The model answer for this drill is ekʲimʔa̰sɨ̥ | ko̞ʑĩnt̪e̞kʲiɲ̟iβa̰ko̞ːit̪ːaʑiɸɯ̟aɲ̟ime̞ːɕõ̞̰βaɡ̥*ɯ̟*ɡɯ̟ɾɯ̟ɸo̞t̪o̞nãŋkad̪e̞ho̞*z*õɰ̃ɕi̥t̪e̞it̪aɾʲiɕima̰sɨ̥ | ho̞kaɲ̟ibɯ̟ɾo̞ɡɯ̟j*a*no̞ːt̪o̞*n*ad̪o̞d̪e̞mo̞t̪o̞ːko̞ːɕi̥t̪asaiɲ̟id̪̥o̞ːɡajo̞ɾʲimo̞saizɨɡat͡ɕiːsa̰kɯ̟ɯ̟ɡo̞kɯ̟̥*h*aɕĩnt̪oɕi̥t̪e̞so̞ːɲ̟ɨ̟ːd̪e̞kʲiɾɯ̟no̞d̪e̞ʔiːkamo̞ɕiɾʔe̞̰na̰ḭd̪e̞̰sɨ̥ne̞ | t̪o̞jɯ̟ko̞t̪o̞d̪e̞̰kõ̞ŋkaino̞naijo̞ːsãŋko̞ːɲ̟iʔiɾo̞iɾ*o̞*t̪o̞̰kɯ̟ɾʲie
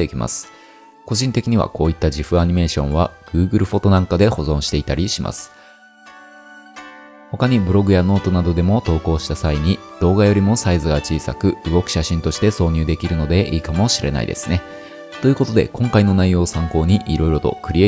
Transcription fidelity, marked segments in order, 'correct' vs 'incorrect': incorrect, correct, correct, correct, incorrect, correct

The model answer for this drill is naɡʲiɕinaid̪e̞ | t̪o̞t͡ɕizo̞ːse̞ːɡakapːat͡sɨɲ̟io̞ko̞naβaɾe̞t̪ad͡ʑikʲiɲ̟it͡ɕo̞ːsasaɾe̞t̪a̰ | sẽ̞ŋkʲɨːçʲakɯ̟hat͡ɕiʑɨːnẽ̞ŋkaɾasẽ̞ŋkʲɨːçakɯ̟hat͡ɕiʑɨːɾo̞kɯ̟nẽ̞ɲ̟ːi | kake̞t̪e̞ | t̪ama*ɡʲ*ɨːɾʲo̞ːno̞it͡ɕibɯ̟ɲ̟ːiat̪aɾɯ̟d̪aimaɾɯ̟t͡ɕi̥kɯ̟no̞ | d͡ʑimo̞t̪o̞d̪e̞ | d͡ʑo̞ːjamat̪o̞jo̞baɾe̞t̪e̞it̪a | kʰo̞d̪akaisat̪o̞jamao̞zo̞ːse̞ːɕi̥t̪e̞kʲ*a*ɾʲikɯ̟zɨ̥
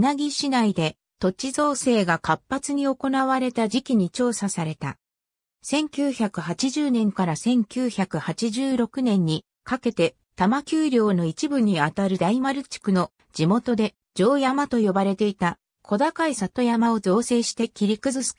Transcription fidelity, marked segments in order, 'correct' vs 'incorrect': incorrect, incorrect

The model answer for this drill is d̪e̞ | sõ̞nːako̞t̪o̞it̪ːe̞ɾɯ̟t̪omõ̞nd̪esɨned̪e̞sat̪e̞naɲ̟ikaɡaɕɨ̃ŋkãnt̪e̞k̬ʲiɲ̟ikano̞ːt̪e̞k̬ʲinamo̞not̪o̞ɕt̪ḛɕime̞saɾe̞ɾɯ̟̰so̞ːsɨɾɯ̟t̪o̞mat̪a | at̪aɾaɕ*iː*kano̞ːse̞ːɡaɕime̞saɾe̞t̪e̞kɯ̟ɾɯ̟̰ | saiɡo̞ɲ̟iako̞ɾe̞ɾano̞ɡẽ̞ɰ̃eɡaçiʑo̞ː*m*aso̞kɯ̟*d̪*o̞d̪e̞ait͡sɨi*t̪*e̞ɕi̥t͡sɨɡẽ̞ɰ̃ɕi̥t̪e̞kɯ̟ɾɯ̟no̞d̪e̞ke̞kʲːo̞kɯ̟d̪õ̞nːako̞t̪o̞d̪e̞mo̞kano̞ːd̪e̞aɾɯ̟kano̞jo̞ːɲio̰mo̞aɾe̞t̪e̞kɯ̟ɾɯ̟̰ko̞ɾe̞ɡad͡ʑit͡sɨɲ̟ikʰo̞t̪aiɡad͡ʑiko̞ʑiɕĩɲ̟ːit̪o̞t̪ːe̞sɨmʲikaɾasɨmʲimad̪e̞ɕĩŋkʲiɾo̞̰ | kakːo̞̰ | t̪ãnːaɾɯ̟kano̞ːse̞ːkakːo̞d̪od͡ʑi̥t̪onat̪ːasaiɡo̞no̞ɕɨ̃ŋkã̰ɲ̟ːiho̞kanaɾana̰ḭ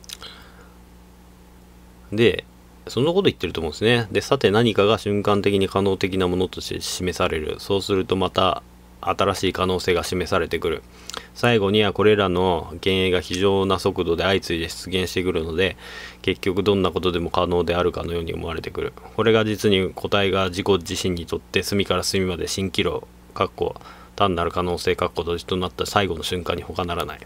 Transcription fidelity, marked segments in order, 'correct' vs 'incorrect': correct, incorrect, correct, incorrect

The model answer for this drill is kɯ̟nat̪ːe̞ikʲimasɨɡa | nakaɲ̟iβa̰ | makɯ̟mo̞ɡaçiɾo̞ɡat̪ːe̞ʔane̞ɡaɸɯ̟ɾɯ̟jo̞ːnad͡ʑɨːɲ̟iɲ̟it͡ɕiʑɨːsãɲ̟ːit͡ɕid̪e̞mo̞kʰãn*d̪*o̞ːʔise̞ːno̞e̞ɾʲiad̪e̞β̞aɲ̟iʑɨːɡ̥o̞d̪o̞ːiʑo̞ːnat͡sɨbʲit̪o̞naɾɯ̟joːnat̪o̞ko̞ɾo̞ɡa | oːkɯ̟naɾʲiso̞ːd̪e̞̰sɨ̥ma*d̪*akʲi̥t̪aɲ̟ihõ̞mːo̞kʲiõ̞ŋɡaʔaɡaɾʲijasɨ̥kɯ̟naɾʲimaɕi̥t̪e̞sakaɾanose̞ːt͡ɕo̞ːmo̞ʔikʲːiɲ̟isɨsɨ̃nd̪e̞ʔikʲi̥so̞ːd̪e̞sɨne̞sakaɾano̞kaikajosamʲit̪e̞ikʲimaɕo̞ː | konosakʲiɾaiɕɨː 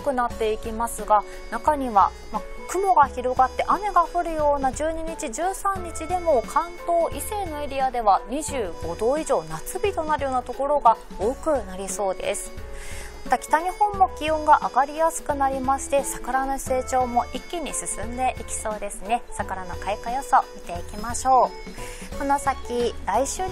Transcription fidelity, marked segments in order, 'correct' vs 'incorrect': incorrect, incorrect

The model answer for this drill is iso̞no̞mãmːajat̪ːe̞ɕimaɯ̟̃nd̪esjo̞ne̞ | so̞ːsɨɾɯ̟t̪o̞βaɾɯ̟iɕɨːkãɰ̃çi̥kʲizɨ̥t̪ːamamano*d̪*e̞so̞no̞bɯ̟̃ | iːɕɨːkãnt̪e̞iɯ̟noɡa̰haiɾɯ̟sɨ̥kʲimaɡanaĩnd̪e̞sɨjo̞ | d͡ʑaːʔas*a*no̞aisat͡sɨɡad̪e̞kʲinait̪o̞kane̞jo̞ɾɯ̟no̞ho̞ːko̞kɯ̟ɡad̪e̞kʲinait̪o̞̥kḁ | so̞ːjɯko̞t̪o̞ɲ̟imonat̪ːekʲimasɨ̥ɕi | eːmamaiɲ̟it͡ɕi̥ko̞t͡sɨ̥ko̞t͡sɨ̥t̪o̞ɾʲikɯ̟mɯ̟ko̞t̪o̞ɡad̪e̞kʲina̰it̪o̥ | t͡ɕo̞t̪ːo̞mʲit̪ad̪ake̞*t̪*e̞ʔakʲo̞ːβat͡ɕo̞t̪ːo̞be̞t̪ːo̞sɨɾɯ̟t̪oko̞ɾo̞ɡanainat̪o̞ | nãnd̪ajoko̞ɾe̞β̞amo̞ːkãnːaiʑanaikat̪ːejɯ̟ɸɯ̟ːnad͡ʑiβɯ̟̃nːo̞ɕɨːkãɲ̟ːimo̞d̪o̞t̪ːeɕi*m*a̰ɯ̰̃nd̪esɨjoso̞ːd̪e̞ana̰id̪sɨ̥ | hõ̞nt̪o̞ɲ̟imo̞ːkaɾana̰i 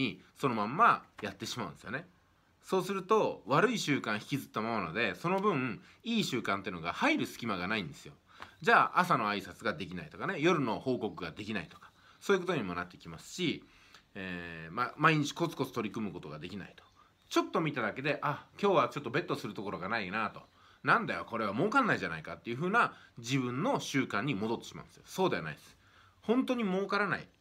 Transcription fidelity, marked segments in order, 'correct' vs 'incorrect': correct, correct, incorrect, correct

